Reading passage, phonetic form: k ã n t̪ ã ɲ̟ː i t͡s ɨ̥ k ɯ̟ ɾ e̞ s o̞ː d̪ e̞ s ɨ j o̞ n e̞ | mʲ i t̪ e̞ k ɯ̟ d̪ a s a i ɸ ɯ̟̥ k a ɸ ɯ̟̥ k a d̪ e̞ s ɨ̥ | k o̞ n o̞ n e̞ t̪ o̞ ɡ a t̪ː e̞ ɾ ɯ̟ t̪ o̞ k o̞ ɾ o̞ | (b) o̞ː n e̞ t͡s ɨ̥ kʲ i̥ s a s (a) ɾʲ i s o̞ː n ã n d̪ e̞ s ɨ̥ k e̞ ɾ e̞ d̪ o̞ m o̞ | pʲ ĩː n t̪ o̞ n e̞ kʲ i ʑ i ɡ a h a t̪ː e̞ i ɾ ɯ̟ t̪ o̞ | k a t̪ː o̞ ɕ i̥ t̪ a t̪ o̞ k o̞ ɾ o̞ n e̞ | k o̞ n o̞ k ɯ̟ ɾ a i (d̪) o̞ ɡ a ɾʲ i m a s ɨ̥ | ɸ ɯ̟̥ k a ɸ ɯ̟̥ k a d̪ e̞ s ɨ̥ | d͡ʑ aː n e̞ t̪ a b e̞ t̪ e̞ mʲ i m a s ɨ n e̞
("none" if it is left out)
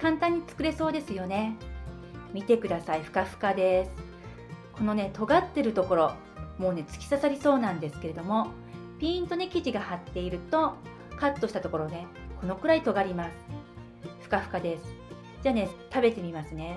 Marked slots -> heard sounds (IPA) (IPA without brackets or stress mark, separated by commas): m, a, t̪